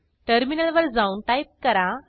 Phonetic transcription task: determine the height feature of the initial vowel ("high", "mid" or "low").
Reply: mid